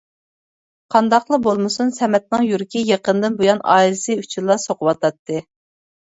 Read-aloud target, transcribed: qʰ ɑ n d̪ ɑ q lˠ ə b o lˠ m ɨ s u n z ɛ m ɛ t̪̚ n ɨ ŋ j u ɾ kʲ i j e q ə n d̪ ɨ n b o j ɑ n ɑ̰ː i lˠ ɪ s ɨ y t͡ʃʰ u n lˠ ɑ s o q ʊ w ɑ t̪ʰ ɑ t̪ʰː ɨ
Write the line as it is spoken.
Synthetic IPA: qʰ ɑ n d̪ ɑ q lˠ ə b o lˠ m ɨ s u n s ɛ m ɛ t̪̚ n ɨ ŋ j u ɾ kʲ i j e q ə n d̪ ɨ n b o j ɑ n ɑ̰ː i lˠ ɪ s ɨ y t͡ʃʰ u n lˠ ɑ s o q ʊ w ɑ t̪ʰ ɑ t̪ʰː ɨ